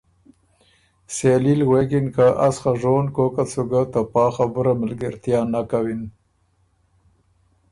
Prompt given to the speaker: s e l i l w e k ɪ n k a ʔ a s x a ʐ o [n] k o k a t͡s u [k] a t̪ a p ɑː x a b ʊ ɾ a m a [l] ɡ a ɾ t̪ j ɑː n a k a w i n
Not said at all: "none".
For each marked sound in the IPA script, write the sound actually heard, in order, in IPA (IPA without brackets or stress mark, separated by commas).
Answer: n, ɡ, l